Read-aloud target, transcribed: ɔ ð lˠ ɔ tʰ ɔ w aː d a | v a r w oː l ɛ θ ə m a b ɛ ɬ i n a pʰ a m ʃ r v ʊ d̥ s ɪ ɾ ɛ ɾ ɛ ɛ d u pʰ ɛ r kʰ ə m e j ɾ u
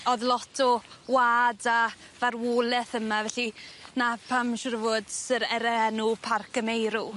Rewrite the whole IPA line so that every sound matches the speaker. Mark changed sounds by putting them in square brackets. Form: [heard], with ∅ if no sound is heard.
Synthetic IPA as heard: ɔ ð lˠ ɔ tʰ ɔ w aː d a | v a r w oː l ɛ θ ə m a [v] ɛ ɬ i n a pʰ a m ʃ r v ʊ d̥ s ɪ ɾ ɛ ɾ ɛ ɛ [n] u pʰ [a] r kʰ ə m e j ɾ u